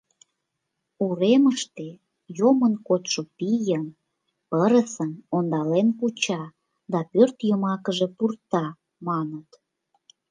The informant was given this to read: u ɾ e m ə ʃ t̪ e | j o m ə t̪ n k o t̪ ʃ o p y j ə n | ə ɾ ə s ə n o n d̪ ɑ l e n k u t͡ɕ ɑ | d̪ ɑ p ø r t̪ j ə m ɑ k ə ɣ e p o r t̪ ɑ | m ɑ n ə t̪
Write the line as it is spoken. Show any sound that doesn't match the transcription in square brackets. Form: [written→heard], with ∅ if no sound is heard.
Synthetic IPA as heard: u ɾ e m ə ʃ t̪ e | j o m ə [t̪→∅] n k o t̪ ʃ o p [y→i] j ə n | ə ɾ ə s ə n o n d̪ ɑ l e n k u t͡ɕ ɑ | d̪ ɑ p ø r t̪ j ə m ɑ k ə [ɣ→ʒ] e p [o→u] r t̪ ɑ | m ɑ n ə t̪